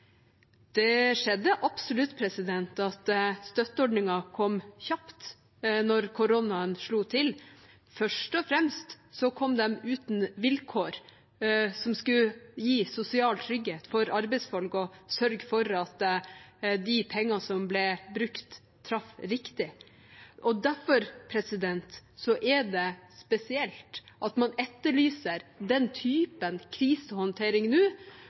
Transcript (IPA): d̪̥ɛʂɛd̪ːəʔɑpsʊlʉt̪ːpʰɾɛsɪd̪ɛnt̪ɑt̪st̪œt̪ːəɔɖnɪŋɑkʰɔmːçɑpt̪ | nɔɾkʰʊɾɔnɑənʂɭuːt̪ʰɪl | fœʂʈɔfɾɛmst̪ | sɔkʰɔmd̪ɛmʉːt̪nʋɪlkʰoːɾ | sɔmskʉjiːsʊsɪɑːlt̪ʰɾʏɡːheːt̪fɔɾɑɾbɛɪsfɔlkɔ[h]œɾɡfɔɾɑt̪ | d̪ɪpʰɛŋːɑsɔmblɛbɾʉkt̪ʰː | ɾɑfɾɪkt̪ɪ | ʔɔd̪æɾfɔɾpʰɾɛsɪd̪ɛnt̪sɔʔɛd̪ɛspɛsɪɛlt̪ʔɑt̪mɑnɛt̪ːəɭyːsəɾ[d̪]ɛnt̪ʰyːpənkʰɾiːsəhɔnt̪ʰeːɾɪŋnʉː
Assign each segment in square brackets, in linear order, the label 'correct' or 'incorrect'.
incorrect: s, correct

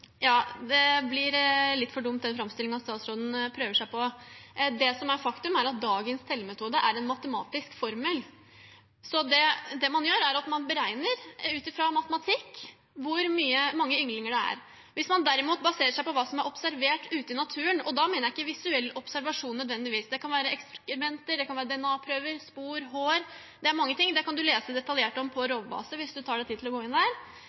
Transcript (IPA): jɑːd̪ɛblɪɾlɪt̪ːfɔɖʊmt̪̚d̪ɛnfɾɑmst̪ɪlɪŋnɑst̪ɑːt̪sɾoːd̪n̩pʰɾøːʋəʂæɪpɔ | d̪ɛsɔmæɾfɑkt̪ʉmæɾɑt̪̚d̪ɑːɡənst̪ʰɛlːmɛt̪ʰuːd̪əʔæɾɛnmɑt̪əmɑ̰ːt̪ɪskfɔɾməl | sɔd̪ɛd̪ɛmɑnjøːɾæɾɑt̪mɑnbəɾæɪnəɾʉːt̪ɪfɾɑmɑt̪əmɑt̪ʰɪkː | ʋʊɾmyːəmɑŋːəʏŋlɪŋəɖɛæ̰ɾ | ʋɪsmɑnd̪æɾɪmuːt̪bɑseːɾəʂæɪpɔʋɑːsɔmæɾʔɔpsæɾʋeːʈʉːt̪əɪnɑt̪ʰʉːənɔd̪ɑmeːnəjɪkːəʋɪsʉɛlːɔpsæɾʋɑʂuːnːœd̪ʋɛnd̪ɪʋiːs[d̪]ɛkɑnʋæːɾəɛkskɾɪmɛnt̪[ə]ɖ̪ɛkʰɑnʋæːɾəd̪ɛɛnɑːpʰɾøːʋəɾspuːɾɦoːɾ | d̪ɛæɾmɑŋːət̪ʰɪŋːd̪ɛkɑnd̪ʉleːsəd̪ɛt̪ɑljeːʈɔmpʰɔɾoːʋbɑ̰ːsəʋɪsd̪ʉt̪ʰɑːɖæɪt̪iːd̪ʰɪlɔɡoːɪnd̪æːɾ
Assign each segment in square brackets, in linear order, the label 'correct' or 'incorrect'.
correct, correct

